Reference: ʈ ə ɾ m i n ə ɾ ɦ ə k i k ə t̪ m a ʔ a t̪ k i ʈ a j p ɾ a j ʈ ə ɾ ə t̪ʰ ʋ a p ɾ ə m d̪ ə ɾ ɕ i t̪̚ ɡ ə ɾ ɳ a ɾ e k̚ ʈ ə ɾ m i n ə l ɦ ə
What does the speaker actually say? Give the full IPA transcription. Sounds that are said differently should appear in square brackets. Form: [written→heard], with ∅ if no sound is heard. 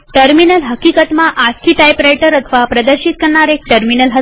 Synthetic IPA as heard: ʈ ə ɾ m i n ə [ɾ→l] ɦ ə k i k ə t̪ m a ʔ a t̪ k i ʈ a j p ɾ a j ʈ ə ɾ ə t̪ʰ ʋ a p ɾ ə [m→∅] d̪ ə ɾ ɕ i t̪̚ [ɡ→k] ə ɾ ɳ a ɾ e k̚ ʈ ə ɾ m i n ə l ɦ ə